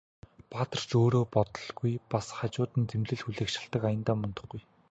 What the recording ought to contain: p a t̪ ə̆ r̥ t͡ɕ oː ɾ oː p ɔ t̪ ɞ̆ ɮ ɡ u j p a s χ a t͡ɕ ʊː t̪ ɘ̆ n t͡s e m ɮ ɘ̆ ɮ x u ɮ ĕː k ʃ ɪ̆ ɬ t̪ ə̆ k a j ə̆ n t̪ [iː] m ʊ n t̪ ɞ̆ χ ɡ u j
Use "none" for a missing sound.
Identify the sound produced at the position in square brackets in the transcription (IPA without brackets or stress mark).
aː